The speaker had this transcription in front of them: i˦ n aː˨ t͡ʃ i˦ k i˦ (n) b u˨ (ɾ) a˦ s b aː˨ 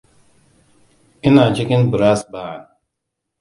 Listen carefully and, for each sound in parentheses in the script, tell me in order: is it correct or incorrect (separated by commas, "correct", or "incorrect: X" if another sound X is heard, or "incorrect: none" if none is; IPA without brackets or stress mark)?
correct, correct